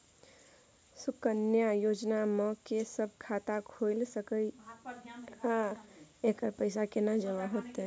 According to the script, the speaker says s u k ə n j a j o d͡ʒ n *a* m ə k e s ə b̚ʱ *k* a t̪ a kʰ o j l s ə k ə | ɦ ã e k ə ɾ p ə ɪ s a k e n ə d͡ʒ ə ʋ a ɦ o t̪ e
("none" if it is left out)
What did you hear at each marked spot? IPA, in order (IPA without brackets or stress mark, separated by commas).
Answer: a, kʰ